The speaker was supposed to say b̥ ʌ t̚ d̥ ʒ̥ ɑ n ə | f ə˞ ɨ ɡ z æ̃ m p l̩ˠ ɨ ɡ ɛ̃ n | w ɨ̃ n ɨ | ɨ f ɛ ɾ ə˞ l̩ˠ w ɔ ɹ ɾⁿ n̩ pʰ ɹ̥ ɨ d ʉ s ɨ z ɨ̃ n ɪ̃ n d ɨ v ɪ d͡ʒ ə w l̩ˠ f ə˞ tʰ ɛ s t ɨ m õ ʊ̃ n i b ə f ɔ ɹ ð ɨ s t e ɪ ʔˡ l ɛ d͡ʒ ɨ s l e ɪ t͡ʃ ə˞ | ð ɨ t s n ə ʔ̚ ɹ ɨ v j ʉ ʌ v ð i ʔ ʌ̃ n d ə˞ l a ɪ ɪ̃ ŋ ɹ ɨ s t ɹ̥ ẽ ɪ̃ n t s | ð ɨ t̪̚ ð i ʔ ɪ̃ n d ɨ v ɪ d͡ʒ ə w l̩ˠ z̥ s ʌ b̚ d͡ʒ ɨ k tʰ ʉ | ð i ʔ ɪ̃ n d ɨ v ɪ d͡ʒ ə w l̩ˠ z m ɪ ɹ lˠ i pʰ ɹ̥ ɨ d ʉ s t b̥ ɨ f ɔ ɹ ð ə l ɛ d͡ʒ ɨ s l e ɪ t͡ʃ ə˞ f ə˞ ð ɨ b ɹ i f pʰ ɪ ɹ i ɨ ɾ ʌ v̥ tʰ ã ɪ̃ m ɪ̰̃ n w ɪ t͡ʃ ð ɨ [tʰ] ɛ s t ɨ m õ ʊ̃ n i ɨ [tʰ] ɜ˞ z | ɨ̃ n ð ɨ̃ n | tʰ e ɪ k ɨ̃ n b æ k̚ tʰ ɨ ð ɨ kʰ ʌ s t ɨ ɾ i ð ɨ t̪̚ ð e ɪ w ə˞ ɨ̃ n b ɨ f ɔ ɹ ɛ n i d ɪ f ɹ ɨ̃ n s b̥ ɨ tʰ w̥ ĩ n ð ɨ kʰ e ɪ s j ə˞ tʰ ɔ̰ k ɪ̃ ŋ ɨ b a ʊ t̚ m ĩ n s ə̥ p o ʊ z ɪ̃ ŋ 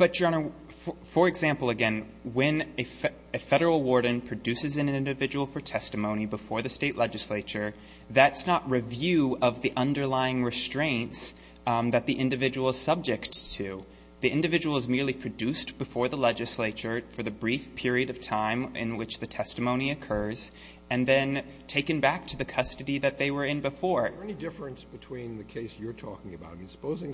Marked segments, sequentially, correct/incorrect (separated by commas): correct, incorrect